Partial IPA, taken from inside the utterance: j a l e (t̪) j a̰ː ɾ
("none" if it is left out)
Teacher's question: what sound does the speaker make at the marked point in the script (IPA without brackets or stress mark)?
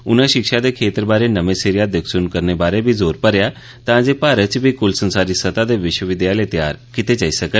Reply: t̪